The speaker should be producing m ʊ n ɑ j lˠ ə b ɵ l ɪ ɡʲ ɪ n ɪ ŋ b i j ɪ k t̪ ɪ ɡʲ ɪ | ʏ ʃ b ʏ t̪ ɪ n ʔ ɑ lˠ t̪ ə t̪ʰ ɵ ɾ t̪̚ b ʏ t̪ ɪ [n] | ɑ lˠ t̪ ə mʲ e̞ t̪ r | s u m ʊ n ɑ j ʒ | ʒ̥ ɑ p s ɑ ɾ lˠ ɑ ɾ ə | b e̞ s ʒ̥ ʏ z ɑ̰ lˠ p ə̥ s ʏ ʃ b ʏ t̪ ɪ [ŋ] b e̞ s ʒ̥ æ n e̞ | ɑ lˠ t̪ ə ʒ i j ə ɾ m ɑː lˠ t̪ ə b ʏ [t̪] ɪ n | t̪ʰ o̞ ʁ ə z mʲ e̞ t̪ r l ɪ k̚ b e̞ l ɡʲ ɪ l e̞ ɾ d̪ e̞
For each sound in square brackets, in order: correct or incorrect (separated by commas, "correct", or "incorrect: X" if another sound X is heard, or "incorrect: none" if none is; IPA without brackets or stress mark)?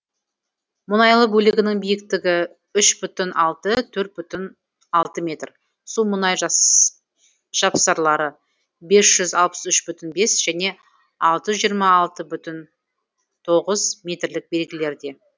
correct, incorrect: n, correct